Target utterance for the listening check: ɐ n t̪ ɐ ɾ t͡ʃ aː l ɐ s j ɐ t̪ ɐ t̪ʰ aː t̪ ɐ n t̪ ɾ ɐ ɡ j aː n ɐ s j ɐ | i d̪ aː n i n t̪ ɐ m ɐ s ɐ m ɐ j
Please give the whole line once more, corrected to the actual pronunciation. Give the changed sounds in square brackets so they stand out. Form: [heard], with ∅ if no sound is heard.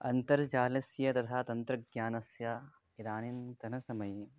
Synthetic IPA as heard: ɐ n t̪ ɐ ɾ t͡ʃ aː l ɐ s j ɐ t̪ ɐ t̪ʰ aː t̪ ɐ n t̪ ɾ ɐ ɡ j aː n ɐ s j ɐ | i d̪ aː n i n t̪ ɐ [n] ɐ s ɐ m ɐ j